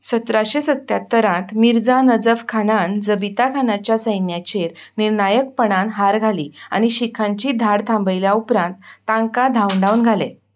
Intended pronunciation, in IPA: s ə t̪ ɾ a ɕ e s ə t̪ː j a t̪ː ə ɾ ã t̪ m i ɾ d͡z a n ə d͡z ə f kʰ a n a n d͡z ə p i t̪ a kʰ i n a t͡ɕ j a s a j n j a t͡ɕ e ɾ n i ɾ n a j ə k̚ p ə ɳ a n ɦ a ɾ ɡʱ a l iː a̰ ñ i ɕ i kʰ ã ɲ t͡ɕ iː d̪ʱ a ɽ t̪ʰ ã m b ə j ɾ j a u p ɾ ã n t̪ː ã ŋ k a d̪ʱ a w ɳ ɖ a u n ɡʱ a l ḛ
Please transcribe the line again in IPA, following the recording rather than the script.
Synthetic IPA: s ə t̪ ɾ a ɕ e s ə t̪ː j a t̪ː ə ɾ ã t̪ m i ɾ d͡z a n ə d͡z ə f kʰ a n a n d͡z ə b i t̪ a kʰ a n a t͡ɕ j a s ə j n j a t͡ɕ e ɾ n i ɾ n a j ə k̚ p ə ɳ a n ɦ a ɾ ɡʱ a l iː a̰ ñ i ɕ i kʰ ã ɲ t͡ɕ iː d̪ʱ a ɽ t̪ʰ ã m b ə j l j a u p ɾ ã n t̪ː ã ŋ k a d̪ʱ a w ɳ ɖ a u n ɡʱ a l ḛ

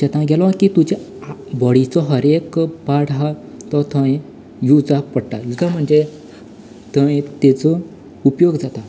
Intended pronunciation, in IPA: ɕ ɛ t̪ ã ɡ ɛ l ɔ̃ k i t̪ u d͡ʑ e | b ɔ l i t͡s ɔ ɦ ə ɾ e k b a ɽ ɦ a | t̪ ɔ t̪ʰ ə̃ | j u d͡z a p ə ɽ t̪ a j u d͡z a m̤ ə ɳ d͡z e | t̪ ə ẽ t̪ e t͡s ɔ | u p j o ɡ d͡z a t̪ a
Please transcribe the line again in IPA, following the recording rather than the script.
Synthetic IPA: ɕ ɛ t̪ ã ɡ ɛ l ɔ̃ k i t̪ u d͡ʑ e | b ɔ ɽ i t͡s ɔ ɦ ə ɾ e k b a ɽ ɦ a | t̪ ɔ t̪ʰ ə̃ | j u d͡z a p ə ɽ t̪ a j u d͡z a m̤ ə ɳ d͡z e | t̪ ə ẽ t̪ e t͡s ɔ | u p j o ɡ d͡z a t̪ a

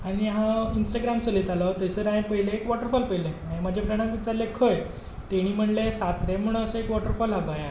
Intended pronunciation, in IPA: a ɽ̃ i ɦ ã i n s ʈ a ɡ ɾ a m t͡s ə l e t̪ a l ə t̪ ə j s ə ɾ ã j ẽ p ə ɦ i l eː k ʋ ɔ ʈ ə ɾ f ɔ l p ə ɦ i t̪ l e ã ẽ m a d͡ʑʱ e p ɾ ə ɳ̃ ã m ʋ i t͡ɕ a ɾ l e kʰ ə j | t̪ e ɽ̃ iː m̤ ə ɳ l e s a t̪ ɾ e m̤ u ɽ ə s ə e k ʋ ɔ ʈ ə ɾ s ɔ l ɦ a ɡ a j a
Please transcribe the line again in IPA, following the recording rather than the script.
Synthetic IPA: a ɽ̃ i ɦ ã i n s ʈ a ɡ ɾ a m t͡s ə l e t̪ a l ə t̪ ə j s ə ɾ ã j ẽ p ə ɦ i l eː k ʋ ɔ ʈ ə ɾ f ɔ l p ə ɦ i l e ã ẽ m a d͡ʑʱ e p ɾ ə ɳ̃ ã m ʋ i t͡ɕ a ɾ l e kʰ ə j | t̪ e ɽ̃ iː m̤ ə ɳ l e s a t̪ ɾ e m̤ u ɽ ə s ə e k ʋ ɔ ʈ ə ɾ f ɔ l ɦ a ɡ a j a

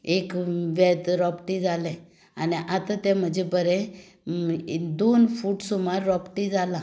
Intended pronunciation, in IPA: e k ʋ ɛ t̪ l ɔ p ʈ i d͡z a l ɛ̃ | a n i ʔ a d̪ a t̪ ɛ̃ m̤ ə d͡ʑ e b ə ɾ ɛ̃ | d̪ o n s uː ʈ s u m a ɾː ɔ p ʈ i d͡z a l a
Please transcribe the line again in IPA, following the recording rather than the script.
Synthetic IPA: e k ʋ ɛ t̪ ɾ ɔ p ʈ i d͡z a l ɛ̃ | a n i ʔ a t̪ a t̪ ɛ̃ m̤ ə d͡ʑ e b ə ɾ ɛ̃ | d̪ o n f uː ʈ s u m a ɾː ɔ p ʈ i d͡z a l a

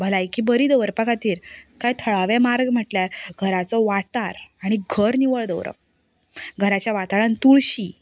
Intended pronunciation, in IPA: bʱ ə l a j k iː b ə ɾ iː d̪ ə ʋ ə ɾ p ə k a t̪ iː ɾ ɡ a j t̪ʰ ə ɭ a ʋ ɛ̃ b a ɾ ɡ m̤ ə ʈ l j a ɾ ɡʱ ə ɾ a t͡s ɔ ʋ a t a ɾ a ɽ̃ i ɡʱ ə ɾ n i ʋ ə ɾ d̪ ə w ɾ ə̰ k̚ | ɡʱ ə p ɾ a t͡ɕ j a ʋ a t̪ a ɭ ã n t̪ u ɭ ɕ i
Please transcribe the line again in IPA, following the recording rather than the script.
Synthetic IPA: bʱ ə l a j k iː b ə ɾ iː d̪ ə ʋ ə ɾ p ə k a t̪ iː ɾ k a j t̪ʰ ə ɭ a ʋ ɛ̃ m a ɾ ɡ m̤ ə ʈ l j a ɾ ɡʱ ə ɾ a t͡s ɔ ʋ a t a ɾ a ɽ̃ i ɡʱ ə ɾ n i ʋ ə ɭ d̪ ə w ɾ ə̰ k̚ | ɡʱ ə ɾ a t͡ɕ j a ʋ a t̪ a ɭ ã n t̪ u ɭ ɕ i

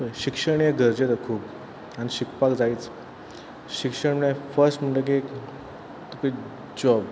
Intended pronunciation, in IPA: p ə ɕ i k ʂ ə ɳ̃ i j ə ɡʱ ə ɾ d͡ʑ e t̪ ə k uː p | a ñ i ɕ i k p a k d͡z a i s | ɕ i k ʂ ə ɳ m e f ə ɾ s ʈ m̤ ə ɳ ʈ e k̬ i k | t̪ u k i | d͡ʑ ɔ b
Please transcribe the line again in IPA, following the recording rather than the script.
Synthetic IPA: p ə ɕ i k ʂ ə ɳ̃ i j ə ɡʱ ə ɾ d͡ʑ e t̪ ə kʰ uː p | a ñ i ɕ i k p a k d͡z a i t͡s | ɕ i k ʂ ə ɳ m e f ə ɾ s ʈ m̤ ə ɳ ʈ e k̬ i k | t̪ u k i | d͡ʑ ɔ b

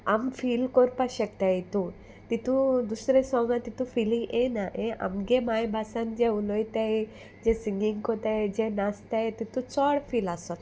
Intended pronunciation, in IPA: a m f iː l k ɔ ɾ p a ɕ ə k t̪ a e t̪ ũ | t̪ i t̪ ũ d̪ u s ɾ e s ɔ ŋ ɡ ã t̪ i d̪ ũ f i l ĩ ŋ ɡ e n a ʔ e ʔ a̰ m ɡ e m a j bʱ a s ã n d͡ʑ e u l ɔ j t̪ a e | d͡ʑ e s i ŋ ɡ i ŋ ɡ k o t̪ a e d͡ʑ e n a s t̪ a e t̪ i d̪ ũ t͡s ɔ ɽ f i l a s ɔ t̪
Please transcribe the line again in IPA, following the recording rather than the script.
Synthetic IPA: a m f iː l k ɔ ɾ p a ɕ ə k t̪ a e t̪ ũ | t̪ i t̪ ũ d̪ u s ɾ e s ɔ ŋ ɡ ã t̪ i t̪ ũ f i l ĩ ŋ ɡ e n a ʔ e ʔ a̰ m ɡ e m a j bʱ a s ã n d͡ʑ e u l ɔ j t̪ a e | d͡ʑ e s i ŋ ɡ i ŋ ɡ k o t̪ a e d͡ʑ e n a s t̪ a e t̪ i t̪ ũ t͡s ɔ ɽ f i l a s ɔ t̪

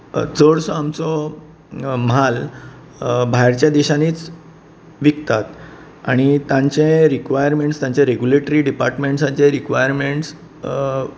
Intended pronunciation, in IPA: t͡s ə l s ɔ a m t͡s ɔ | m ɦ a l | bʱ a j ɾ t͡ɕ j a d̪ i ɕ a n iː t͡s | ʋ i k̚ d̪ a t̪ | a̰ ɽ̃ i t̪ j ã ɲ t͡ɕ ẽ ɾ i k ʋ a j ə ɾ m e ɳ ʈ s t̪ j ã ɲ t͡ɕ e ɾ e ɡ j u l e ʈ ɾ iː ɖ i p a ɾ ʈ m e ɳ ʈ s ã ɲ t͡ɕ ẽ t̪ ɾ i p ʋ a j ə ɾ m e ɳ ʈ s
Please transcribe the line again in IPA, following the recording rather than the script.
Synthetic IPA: t͡s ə ɽ s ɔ a m t͡s ɔ | m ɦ a l | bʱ a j ɾ t͡ɕ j a d̪ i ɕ a n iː t͡s | ʋ i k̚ t̪ a t̪ | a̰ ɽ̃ i t̪ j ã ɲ t͡ɕ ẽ ɾ i k ʋ a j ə ɾ m e ɳ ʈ s t̪ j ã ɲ t͡ɕ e ɾ e ɡ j u l e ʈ ɾ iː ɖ i p a ɾ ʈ m e ɳ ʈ s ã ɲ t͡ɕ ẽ ɾ i k ʋ a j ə ɾ m e ɳ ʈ s

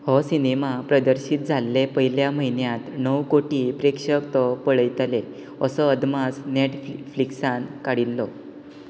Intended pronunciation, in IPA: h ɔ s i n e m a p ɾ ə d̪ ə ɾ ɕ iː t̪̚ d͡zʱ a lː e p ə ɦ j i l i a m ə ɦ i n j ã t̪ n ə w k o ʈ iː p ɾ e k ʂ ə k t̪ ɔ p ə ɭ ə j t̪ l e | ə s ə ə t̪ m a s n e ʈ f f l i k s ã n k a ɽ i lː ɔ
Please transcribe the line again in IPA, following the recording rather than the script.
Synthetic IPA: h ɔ s i n e m a p ɾ ə d̪ ə ɾ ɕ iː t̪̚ d͡zʱ a lː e p ə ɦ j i l j a m ə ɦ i n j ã t̪ n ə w k o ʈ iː p ɾ e k ʂ ə k t̪ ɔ p ə ɭ ə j t̪ l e | ə s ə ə d̪ m a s n e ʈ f f l i k s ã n k a ɽ i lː ɔ

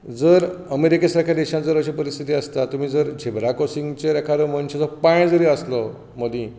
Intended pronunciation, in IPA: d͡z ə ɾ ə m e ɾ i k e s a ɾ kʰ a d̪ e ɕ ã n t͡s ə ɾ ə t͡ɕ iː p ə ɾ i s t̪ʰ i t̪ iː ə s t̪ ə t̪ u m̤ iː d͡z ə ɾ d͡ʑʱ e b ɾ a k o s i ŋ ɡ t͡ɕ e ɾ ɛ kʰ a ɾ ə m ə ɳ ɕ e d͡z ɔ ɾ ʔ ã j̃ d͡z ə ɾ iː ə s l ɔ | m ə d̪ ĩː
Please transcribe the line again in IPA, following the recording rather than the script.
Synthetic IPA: d͡z ə ɾ ə m e ɾ i k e s a ɾ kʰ a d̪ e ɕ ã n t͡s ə ɾ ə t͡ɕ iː p ə ɾ i s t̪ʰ i t̪ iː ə s t̪ a t̪ u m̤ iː d͡z ə ɾ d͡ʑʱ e b ɾ a k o s i ŋ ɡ t͡ɕ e ɾ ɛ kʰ a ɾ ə m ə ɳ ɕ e d͡z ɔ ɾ p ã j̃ d͡z ə ɾ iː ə s l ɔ | m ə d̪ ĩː

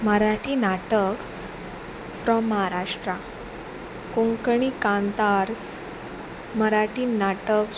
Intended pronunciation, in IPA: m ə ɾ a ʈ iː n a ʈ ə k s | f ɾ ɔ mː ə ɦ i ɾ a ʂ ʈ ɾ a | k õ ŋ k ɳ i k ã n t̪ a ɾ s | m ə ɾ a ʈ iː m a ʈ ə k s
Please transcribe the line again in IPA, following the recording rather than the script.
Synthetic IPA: m ə ɾ a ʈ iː n a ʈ ə k s | f ɾ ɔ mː ə ɦ a ɾ a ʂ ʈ ɾ a | k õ ŋ k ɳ i k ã n t̪ a ɾ s | m ə ɾ a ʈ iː n a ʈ ə k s

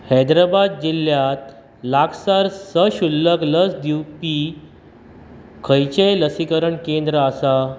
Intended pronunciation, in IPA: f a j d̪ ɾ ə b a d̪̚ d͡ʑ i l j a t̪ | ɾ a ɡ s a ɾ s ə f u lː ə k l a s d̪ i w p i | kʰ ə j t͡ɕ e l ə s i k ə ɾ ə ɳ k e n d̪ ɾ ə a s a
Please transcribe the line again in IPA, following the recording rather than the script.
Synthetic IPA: h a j d̪ ɾ a b a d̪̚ d͡ʑ i l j a t̪ | l a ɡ s a ɾ s ə ɕ u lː ə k l ə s d̪ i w p i | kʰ ə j t͡ɕ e l ə s i k ə ɾ ə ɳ k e n d̪ ɾ ə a s a

